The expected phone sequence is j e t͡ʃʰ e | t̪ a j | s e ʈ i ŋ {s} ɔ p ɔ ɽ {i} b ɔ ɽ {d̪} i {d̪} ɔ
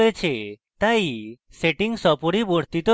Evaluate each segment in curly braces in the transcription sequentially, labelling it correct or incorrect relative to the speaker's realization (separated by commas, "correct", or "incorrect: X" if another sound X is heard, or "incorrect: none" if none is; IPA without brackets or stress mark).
correct, correct, incorrect: t̪, incorrect: t̪